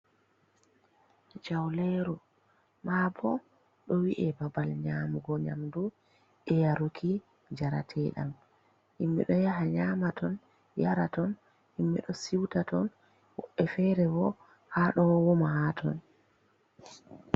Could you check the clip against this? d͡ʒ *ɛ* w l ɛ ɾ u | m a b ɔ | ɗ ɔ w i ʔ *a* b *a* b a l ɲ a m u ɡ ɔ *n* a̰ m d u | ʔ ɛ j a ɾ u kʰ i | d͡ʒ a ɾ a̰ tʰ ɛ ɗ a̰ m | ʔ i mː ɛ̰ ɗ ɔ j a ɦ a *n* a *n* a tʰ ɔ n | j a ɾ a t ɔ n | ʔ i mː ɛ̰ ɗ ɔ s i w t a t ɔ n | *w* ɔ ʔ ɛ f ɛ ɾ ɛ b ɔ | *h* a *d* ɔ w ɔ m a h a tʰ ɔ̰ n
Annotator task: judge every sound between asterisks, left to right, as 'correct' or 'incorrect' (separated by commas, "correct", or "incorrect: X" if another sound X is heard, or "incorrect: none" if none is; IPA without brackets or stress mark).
incorrect: a, incorrect: ɛ, correct, incorrect: ɲ, incorrect: ɲ, incorrect: m, correct, correct, incorrect: ɗ